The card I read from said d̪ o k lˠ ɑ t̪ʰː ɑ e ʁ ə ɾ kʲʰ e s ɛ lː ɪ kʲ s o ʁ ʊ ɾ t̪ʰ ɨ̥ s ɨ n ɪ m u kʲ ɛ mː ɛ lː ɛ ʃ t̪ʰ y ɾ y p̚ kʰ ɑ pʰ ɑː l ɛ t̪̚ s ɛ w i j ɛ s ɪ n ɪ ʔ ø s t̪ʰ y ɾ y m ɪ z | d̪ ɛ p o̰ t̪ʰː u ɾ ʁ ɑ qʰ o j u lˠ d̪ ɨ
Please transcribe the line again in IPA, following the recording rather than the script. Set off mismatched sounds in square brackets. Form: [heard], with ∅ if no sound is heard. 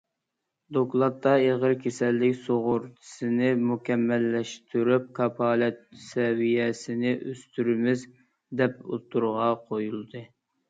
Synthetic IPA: d̪ o k lˠ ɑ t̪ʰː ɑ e ʁ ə ɾ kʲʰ e s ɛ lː ɪ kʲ s o ʁ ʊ ɾ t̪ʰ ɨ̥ s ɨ n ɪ m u kʲ ɛ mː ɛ lː ɛ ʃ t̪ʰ y ɾ y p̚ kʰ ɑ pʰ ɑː l ɛ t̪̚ s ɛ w i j ɛ s ɪ n ɪ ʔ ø s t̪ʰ y ɾ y m ɪ z | d̪ ɛ p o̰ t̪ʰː u ɾ ʁ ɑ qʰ o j u lˠ d̪ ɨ

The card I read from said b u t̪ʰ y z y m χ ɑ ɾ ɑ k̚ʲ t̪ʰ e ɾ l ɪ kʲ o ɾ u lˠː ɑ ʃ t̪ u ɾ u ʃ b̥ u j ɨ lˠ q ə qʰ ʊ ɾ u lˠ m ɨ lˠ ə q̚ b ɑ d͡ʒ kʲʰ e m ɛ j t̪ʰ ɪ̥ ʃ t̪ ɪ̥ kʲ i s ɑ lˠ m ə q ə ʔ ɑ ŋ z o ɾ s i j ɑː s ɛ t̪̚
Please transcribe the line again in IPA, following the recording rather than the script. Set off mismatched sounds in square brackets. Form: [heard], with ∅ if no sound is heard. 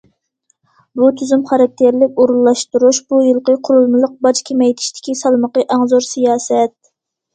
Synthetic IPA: b u t̪ʰ y z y m χ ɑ ɾ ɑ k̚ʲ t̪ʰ e ɾ l ɪ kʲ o ɾ u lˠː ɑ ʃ t̪ u ɾ u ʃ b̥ u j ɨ lˠ q ə qʰ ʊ ɾ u lˠ m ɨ lˠ ə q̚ b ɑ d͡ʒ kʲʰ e m ɛ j t̪ʰ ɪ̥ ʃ t̪ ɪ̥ kʲ i s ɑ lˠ m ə q ə ʔ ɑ ŋ z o ɾ s i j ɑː s ɛ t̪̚

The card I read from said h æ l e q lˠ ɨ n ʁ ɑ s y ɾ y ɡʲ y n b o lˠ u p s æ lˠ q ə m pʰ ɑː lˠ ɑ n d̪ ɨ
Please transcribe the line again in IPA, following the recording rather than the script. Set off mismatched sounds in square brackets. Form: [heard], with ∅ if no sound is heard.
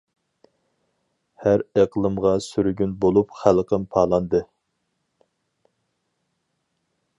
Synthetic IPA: h æ [ɾ] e q lˠ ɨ [m] ʁ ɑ s y ɾ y ɡʲ y n b o lˠ u p [χ] æ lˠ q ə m pʰ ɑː lˠ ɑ n d̪ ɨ

